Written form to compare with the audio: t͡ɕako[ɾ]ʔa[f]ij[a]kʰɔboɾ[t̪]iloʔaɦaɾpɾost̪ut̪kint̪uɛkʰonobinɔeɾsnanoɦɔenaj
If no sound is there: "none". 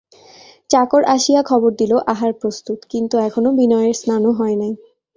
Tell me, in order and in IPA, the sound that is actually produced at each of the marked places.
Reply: ɾ, ʃ, a, d̪

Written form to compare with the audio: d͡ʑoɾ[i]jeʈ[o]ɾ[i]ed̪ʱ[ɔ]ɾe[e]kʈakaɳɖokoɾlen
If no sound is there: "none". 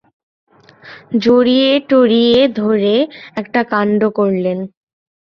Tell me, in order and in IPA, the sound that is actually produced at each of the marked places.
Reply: i, o, i, o, ɛ

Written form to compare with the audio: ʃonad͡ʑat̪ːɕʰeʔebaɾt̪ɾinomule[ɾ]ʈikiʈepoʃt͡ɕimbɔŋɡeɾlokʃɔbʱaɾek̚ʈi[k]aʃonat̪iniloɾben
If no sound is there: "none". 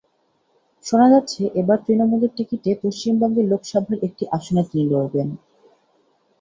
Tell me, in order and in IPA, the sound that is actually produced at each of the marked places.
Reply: ɾ, ʔ

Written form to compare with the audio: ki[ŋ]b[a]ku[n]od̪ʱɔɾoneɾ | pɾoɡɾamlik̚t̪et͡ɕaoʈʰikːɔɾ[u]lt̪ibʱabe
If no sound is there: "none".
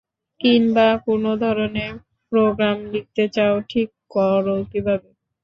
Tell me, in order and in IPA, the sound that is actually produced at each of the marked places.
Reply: n, a, n, o

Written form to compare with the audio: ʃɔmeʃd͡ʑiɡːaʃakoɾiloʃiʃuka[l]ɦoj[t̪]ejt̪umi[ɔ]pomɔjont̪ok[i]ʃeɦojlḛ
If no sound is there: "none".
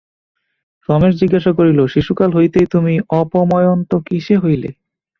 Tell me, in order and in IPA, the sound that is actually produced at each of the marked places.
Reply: l, t̪, ɔ, i

